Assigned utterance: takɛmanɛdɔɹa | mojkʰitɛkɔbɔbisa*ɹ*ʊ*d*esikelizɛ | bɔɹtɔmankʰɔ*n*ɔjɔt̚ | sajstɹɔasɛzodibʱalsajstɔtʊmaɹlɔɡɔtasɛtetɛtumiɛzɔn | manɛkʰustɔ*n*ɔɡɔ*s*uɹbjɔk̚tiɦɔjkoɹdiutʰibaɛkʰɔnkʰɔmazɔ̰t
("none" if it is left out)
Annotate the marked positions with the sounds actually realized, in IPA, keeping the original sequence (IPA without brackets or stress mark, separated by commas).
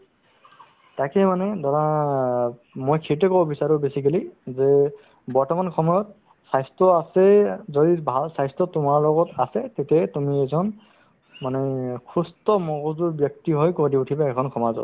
ɹ, b, m, m, z